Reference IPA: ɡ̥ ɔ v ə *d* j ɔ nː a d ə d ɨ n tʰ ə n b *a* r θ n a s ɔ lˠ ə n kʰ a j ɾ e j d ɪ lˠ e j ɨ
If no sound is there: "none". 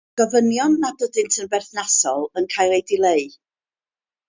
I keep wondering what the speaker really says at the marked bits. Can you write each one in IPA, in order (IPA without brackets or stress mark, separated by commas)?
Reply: n, ɛ